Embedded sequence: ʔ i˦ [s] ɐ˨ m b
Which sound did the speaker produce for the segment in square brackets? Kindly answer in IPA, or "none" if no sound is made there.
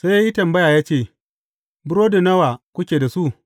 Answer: t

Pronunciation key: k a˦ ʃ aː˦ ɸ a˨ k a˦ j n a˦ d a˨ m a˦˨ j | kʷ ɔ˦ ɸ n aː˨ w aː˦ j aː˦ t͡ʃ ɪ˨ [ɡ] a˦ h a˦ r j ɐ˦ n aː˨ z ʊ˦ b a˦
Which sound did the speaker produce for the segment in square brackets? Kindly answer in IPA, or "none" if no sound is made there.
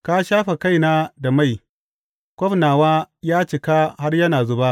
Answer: k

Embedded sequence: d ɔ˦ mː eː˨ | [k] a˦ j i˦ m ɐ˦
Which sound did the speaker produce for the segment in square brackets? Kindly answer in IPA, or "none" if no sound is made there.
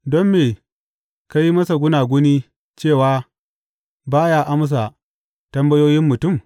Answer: k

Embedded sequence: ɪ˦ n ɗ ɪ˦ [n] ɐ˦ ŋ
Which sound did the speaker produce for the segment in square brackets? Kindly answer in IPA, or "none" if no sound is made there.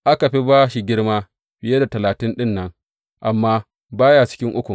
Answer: nː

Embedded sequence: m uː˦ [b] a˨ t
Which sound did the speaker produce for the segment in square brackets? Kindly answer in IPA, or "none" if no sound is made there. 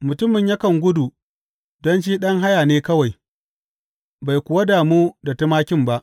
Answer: d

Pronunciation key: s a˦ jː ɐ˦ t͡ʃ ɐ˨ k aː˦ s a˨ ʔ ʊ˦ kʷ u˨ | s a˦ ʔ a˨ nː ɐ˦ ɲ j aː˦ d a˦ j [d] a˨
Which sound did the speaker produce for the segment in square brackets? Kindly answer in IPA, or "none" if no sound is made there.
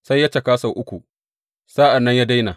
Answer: n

